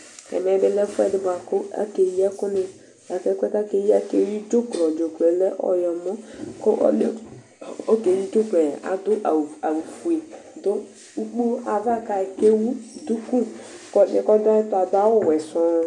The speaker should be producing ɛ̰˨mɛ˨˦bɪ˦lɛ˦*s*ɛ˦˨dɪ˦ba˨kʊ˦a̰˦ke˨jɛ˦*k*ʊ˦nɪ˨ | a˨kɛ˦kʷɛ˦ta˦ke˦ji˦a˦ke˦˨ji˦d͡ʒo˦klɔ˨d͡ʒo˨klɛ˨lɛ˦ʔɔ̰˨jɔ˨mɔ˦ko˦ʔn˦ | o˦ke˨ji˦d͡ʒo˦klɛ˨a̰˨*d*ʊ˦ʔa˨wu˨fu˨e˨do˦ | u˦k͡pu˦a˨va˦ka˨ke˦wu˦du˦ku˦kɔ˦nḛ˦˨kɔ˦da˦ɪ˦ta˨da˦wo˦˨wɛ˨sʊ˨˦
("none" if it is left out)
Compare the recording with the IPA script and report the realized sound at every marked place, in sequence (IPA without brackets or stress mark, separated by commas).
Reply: f, k, d